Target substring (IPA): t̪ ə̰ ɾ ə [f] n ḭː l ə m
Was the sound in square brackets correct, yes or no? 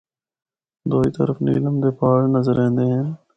yes